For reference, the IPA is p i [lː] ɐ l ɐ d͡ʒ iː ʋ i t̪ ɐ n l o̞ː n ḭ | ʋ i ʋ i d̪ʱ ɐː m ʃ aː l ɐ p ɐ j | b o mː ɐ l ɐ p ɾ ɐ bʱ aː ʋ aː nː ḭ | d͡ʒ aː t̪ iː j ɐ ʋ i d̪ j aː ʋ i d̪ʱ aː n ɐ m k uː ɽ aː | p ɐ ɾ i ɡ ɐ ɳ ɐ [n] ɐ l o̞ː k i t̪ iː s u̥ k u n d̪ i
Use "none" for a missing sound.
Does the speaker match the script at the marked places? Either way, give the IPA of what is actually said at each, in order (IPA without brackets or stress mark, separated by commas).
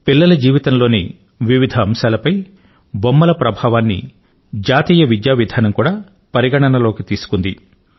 lː, n